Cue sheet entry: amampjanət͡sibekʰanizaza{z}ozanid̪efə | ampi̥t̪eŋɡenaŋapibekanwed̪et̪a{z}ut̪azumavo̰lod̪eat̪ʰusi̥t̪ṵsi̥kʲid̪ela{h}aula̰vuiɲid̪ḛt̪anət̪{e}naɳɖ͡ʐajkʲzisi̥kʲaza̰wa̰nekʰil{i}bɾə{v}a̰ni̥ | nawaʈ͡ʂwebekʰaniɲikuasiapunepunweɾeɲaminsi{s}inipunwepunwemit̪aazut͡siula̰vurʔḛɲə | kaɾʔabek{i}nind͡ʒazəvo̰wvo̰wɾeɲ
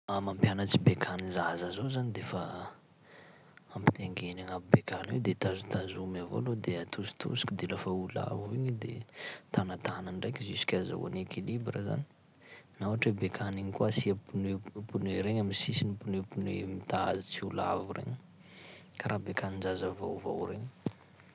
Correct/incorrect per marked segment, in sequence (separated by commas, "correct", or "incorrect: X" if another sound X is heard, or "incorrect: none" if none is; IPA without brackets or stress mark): correct, correct, incorrect: f, incorrect: a, correct, incorrect: z, correct, incorrect: a